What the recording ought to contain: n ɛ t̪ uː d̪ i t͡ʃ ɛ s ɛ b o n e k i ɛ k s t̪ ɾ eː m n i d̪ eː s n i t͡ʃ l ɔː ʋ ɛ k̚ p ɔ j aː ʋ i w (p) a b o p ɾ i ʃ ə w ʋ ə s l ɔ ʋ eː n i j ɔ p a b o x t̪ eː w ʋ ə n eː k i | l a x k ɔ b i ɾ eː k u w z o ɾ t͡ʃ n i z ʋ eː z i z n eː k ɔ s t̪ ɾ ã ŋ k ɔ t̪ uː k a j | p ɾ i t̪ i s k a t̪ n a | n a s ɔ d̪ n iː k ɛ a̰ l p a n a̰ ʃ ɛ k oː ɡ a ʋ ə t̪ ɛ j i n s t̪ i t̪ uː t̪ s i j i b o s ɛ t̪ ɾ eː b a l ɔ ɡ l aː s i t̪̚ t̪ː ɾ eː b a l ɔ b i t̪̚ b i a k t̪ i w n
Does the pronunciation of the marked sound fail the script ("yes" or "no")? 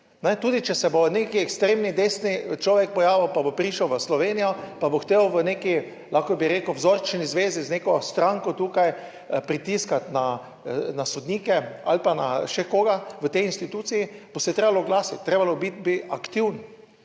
no